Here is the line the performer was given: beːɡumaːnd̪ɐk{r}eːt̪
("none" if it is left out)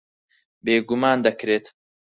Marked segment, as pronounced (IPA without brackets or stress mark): ɾ